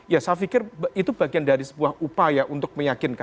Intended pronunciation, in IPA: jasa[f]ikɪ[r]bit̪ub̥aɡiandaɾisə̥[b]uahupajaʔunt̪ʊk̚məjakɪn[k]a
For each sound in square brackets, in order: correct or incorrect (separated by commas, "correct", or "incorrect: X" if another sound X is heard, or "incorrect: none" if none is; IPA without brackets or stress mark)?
correct, correct, correct, correct